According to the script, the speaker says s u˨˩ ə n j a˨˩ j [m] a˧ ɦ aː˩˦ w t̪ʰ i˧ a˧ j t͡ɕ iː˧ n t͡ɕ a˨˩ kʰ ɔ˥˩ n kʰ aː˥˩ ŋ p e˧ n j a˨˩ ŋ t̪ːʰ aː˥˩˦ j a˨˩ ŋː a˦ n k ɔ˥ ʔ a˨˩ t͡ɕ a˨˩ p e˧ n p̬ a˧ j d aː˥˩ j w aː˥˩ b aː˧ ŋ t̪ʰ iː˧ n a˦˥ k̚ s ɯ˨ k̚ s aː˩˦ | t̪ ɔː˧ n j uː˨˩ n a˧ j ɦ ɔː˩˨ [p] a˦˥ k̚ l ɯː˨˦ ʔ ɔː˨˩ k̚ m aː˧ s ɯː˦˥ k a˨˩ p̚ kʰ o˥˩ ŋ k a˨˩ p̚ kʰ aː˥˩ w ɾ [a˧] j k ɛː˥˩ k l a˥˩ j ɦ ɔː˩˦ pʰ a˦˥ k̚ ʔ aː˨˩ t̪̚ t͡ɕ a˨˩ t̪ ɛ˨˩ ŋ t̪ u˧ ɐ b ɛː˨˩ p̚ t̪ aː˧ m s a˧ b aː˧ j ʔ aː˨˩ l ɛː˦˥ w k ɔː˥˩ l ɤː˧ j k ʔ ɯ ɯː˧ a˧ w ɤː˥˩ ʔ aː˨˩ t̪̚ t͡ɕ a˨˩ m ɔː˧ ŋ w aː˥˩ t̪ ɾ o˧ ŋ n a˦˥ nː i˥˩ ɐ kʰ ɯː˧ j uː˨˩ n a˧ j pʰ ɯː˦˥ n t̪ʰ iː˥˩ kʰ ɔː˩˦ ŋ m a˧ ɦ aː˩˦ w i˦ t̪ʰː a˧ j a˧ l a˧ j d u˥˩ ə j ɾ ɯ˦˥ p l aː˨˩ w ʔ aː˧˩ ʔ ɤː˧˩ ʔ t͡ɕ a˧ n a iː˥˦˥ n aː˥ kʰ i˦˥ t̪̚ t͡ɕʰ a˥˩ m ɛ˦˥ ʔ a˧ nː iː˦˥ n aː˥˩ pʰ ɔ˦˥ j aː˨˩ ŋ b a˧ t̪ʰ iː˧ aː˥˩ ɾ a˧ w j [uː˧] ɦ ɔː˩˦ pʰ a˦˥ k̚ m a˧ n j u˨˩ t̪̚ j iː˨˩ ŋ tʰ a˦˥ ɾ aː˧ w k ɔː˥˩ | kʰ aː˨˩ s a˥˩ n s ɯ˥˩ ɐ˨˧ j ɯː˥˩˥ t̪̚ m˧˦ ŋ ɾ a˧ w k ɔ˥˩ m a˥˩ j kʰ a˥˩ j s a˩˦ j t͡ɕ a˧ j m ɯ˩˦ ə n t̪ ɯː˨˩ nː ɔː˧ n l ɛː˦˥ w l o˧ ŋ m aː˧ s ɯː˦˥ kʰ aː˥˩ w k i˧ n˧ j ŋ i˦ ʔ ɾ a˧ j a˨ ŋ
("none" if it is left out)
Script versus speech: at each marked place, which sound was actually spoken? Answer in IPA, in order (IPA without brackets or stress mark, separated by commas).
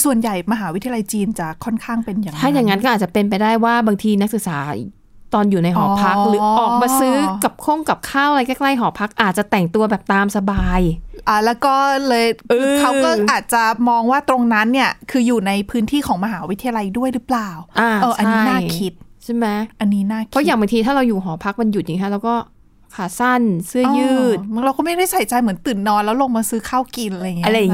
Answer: m, pʰ, a˧, uː˨˩